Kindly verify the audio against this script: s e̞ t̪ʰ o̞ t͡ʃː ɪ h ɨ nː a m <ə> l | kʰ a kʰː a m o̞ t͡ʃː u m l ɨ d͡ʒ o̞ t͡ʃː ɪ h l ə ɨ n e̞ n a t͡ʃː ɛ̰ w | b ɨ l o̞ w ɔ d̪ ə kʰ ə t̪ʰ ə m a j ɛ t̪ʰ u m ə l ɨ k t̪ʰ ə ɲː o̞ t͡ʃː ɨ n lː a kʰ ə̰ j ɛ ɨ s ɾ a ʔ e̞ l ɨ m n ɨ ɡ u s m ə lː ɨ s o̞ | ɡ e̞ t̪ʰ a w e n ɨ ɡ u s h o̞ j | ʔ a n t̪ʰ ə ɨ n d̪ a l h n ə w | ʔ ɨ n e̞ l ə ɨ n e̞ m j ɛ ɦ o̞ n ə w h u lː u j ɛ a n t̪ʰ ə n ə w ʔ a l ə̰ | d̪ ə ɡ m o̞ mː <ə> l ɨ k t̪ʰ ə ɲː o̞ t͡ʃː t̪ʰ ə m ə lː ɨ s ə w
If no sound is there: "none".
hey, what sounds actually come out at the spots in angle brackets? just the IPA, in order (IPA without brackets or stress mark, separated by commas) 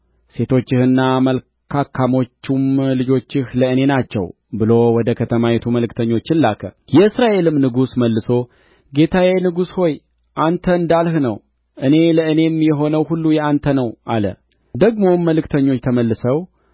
ə, ə